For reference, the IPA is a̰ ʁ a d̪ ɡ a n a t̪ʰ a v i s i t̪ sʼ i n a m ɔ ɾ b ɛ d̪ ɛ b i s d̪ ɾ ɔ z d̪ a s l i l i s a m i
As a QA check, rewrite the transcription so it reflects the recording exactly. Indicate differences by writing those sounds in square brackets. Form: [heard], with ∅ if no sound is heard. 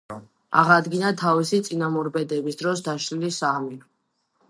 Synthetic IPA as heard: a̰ ʁ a d̪ ɡ [i] n a t̪ʰ a v i s i t̪ sʼ i n a m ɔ ɾ b ɛ d̪ ɛ b i s d̪ ɾ ɔ [s] d̪ a [ʃ] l i l i s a m i

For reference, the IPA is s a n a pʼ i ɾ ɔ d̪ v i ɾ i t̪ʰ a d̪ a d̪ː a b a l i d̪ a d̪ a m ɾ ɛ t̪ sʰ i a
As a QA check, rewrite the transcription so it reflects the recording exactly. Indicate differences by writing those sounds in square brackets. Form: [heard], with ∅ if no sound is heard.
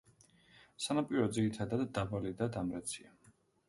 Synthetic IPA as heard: s a n a pʼ i ɾ ɔ d̪ [z] i ɾ i t̪ʰ a d̪ a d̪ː a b a l i d̪ a d̪ a m ɾ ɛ t̪ sʰ i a

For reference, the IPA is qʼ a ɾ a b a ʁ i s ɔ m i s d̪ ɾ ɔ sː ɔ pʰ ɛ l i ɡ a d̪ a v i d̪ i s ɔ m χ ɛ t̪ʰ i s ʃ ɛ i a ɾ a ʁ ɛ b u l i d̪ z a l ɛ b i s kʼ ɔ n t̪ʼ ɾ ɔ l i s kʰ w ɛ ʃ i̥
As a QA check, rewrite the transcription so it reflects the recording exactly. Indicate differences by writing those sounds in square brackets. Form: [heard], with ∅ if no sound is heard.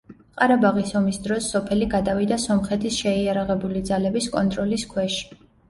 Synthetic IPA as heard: qʼ a ɾ a b a ʁ i s ɔ m i s d̪ ɾ ɔ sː ɔ pʰ ɛ l i ɡ a d̪ a v i d̪ [a] s ɔ m χ ɛ t̪ʰ i s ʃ ɛ i a ɾ a ʁ ɛ b u l i d̪ z a l ɛ b i s kʼ ɔ n t̪ʼ ɾ ɔ l i s kʰ w ɛ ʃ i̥

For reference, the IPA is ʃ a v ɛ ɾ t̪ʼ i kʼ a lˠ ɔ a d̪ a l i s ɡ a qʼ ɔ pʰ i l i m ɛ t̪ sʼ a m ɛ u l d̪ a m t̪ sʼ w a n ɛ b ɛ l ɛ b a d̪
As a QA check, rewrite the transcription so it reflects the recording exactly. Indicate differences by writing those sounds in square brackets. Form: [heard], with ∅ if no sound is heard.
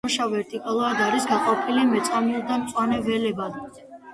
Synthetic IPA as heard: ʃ a v ɛ ɾ t̪ʼ i kʼ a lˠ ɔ a d̪ a [ɾ] i s ɡ a qʼ ɔ pʰ i l i m ɛ t̪ sʼ a m [i] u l d̪ a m t̪ sʼ w a n ɛ [v] ɛ l ɛ b a d̪

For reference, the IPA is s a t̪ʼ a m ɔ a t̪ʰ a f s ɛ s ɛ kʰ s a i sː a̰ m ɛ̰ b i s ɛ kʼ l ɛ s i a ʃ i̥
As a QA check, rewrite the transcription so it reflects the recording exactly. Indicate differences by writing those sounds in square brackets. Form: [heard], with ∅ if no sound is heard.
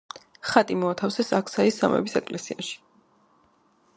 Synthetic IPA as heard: [χ] a t̪ʼ [i] m ɔ a t̪ʰ a f s ɛ s [a] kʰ s a i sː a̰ m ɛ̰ b i s ɛ kʼ l ɛ s i a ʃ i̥

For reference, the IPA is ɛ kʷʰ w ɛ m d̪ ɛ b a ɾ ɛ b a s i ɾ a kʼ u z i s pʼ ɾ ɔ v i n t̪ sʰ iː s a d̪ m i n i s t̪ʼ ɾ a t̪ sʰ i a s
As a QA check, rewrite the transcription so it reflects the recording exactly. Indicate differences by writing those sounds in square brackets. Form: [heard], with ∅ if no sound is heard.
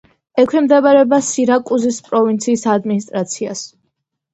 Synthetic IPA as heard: ɛ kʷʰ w ɛ m d̪ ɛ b a ɾ ɛ b a s i ɾ a kʼ u z i s pʼ ɾ ɔ v i n t̪ sʰ iː s a d̪ m i n i s t̪ʼ ɾ a t̪ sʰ i a s

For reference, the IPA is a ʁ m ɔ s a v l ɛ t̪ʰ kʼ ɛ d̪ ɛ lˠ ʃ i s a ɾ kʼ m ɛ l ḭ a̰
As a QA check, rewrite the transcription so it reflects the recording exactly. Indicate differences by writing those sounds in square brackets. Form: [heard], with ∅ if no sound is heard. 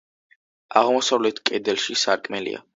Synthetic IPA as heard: a ʁ m ɔ s a v l ɛ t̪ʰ kʼ ɛ d̪ ɛ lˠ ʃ i s a ɾ kʼ m ɛ l ḭ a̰

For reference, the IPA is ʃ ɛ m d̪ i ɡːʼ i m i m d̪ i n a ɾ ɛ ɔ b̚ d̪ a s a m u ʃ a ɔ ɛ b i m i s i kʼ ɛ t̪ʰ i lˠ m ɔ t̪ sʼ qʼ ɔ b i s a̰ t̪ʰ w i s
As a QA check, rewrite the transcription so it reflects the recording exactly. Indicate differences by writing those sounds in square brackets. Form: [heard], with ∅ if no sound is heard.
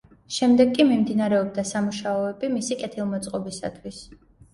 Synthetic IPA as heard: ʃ ɛ m d̪ [ɛ] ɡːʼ i m i m d̪ i n a ɾ ɛ ɔ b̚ d̪ a s a m u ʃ a ɔ ɛ b i m i s i kʼ ɛ t̪ʰ i lˠ m ɔ t̪ sʼ qʼ ɔ b i s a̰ t̪ʰ w i s

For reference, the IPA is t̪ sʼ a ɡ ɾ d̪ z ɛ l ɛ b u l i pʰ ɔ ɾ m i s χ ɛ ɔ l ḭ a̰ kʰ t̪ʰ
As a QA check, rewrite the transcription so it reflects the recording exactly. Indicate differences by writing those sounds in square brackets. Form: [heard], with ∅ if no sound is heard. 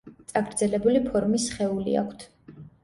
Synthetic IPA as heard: t̪ sʼ a ɡ ɾ d̪ z ɛ l ɛ b u l i pʰ ɔ ɾ m i s χ ɛ [u] l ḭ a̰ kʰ t̪ʰ

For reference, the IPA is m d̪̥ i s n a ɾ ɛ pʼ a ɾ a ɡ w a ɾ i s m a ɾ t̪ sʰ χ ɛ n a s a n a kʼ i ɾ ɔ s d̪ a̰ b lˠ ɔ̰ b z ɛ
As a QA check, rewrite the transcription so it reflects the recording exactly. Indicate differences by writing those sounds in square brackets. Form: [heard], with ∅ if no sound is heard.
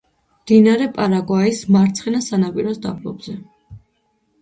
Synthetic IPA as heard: m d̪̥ i [∅] n a ɾ ɛ pʼ a ɾ a ɡ w a [∅] i s m a ɾ t̪ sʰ χ ɛ n a s a n a [pʼ] i ɾ ɔ s d̪ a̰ b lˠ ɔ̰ b z ɛ

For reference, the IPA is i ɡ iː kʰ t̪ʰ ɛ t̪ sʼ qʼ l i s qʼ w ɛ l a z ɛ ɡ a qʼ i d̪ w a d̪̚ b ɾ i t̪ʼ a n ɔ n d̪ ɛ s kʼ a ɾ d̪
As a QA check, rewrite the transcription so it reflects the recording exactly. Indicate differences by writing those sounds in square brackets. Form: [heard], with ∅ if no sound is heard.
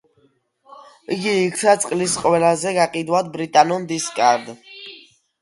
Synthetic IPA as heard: i ɡ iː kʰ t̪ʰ [a] t̪ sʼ qʼ l i s qʼ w ɛ l a z ɛ ɡ a qʼ i d̪ w a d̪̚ b ɾ i t̪ʼ a n ɔ n d̪ [i] s kʼ a ɾ d̪

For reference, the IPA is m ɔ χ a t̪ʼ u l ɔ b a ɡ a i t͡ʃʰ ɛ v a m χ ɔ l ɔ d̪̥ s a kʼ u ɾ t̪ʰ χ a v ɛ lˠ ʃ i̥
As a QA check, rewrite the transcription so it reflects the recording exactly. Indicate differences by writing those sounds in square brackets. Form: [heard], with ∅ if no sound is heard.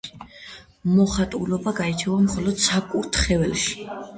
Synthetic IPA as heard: m ɔ χ a t̪ʼ u l ɔ b a ɡ a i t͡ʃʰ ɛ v a m χ ɔ l ɔ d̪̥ s a kʼ u ɾ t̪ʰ χ [ɛ] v ɛ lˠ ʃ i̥

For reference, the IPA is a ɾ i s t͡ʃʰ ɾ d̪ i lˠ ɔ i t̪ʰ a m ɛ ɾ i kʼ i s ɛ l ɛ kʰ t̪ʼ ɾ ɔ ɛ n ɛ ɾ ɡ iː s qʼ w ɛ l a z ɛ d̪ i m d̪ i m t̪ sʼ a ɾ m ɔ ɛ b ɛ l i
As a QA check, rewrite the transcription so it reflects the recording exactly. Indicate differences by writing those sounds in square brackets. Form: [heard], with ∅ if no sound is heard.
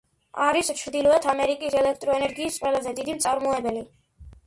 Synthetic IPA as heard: a ɾ i s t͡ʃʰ ɾ d̪ i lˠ ɔ [ɛ] t̪ʰ a m ɛ ɾ i kʼ i s ɛ l ɛ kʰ t̪ʼ ɾ ɔ ɛ n ɛ ɾ ɡ iː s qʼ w ɛ l a z ɛ d̪ i [∅] d̪ i m t̪ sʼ a ɾ m ɔ ɛ b ɛ l i

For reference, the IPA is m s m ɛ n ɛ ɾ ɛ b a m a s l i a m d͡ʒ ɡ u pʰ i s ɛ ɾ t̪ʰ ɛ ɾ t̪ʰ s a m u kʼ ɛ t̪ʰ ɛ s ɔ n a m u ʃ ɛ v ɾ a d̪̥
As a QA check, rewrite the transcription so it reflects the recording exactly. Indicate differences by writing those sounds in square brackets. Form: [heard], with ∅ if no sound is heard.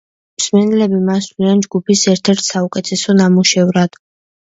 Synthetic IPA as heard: m s m ɛ n ɛ [l] ɛ b [i] m a s l i a [n] d͡ʒ ɡ u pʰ i s ɛ ɾ t̪ʰ ɛ ɾ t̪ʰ s a [∅] u kʼ ɛ t̪ʰ ɛ s ɔ n a m u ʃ ɛ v ɾ a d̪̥

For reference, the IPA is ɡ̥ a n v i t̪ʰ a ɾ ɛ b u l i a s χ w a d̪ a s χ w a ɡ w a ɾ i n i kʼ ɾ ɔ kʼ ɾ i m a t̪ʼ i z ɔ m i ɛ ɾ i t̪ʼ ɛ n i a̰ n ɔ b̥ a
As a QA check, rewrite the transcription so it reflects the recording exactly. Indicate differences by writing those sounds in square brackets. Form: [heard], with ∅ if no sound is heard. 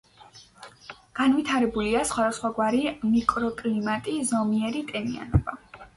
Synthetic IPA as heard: ɡ̥ a n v i t̪ʰ a ɾ ɛ b u l i a s χ w a d̪ a s χ w a ɡ w a ɾ i [m] i kʼ ɾ ɔ kʼ [l] i m a t̪ʼ i z ɔ m i ɛ ɾ i t̪ʼ ɛ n i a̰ n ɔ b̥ a

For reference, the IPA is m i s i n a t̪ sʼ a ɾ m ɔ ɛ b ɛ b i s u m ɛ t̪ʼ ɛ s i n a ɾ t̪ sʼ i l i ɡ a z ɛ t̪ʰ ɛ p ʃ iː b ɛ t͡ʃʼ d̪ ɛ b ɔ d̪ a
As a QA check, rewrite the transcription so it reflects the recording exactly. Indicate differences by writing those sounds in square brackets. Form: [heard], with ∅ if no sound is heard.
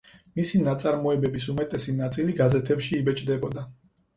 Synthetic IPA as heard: m i s i n a t̪ sʼ a ɾ m ɔ ɛ b ɛ b i s u m ɛ t̪ʼ ɛ s i n a [∅] t̪ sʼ i l i ɡ a z ɛ t̪ʰ ɛ p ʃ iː b ɛ t͡ʃʼ d̪ ɛ b ɔ d̪ a

